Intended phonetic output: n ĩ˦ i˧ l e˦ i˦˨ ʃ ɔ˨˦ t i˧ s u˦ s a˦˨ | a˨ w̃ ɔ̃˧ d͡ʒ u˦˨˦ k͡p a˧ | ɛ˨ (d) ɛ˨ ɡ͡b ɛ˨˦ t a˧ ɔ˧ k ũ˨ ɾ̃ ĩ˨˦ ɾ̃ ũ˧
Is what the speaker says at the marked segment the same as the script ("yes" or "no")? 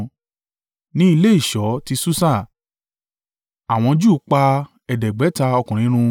yes